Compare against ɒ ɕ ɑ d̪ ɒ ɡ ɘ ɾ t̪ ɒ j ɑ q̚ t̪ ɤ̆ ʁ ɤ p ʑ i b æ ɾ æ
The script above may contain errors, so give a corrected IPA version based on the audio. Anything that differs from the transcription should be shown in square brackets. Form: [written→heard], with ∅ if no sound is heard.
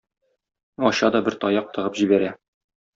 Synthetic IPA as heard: ɒ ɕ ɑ d̪ ɒ [ɡ→b] ɘ ɾ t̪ ɒ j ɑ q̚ t̪ ɤ̆ ʁ ɤ p ʑ i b æ ɾ æ